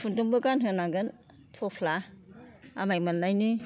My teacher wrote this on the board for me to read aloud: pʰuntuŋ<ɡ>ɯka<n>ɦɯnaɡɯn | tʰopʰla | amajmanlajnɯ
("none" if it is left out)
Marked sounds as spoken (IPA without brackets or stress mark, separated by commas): b, n